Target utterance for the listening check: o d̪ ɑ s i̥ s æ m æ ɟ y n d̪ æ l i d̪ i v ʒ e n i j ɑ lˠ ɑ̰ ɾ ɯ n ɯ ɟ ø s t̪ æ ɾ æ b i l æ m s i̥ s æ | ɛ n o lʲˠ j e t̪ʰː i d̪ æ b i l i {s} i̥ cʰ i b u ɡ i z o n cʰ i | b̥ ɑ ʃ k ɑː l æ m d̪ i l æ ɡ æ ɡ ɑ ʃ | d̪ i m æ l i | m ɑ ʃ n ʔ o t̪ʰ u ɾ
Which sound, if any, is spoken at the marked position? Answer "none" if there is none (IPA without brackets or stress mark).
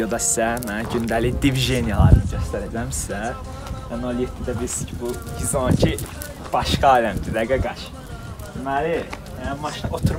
s